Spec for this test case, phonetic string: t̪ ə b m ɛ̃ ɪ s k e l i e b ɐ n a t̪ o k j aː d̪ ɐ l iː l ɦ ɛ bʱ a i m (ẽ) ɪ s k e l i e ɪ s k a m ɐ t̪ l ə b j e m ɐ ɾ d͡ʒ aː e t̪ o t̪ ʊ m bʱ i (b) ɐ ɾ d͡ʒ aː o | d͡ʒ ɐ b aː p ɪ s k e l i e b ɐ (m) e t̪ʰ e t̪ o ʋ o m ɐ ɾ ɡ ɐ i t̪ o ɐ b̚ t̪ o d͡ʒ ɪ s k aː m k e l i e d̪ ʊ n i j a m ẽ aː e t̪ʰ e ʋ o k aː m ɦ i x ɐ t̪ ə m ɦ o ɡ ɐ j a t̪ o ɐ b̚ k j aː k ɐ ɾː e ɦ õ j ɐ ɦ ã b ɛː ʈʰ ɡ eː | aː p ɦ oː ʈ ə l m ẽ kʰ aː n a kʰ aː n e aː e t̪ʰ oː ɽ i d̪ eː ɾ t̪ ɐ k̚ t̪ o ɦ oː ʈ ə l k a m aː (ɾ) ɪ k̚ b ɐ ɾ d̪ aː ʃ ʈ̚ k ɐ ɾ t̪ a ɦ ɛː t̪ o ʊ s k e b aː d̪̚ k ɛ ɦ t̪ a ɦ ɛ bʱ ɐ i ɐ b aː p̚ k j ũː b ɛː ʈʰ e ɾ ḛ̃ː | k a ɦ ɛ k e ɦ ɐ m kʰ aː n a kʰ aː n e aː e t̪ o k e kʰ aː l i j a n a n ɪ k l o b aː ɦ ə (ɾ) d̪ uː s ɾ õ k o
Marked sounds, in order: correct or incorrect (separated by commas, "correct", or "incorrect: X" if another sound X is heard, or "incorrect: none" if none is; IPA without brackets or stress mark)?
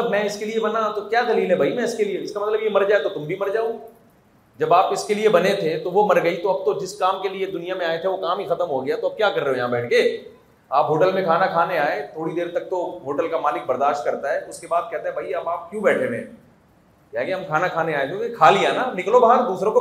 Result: incorrect: ɛ̃, incorrect: m, incorrect: n, incorrect: l, correct